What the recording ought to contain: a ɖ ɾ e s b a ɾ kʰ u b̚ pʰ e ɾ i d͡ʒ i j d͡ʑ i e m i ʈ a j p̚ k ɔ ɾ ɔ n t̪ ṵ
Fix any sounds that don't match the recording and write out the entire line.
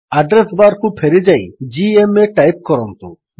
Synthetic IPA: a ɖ ɾ e s b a ɾ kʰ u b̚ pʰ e ɾ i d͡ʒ a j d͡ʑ i e m e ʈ a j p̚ k ɔ ɾ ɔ n t̪ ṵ